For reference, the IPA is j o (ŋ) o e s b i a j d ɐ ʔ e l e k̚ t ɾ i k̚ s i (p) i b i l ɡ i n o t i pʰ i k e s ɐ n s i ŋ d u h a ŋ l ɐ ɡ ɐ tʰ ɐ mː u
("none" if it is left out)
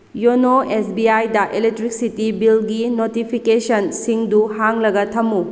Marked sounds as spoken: n, t

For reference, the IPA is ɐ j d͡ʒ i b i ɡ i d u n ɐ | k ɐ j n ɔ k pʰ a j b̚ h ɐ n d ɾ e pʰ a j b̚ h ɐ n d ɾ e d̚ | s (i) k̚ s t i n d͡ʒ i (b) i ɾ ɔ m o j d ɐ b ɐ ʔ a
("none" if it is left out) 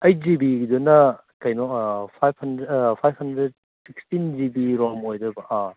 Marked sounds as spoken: i, b

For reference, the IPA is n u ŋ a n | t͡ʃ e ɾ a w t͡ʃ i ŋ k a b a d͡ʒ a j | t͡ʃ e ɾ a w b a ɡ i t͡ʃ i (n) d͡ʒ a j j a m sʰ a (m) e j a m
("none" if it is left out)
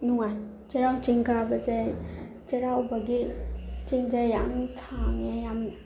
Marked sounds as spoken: ŋ, ŋ

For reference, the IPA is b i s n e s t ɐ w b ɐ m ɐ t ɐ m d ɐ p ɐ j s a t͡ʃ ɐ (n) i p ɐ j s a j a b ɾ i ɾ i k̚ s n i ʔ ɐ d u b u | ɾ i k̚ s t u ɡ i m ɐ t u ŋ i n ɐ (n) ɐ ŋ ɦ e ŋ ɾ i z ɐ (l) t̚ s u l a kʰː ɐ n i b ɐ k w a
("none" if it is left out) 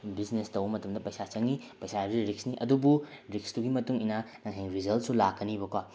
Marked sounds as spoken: ŋ, n, l

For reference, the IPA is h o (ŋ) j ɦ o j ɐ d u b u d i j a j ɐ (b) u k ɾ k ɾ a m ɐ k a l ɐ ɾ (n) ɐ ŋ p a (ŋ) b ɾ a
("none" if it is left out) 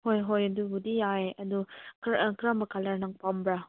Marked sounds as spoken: none, d, n, m

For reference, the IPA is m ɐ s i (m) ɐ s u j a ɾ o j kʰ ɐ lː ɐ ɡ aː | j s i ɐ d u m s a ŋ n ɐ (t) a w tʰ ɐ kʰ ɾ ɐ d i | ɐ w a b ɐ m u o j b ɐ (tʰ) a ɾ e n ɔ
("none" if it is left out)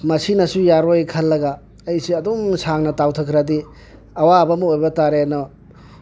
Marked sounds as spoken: n, t, t

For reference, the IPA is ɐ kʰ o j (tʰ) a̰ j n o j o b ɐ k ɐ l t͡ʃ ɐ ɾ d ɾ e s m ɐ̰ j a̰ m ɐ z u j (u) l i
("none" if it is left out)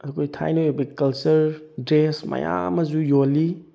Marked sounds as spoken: tʰ, o

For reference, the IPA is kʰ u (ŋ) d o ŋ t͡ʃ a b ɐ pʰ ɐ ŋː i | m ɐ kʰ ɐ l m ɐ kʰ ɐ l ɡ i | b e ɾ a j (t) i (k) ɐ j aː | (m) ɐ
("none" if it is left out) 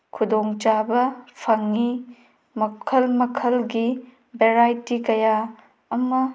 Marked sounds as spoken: none, t, k, m

